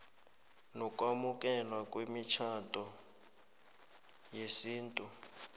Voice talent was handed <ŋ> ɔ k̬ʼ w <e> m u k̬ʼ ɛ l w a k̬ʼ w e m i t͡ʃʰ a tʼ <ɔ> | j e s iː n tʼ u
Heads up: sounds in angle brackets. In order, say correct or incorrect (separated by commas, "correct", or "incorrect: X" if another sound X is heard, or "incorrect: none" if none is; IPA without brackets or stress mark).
incorrect: n, incorrect: a, correct